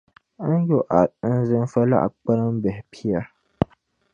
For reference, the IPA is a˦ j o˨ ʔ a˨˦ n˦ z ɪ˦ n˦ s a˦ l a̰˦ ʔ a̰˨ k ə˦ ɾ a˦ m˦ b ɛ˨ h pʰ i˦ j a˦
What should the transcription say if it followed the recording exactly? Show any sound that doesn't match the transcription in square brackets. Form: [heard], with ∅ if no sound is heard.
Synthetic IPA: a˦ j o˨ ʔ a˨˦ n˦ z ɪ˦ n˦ [f] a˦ l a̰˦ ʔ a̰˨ [k͡p] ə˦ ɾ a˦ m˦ b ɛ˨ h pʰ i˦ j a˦